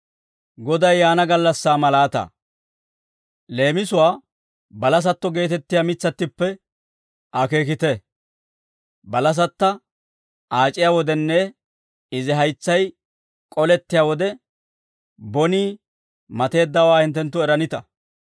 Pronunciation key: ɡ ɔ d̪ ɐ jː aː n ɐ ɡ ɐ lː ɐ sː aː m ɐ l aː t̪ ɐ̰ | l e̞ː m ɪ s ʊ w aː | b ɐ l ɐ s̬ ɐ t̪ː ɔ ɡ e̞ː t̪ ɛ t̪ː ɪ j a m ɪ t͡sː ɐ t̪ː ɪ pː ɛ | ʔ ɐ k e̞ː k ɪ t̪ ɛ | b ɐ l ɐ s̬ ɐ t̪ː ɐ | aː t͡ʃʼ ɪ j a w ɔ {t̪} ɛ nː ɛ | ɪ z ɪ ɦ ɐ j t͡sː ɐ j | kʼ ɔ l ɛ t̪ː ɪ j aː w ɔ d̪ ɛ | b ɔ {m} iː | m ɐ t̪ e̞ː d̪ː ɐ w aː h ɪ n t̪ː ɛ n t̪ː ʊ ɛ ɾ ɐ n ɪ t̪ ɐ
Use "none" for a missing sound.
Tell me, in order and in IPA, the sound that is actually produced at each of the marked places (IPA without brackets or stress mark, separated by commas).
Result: d̪, n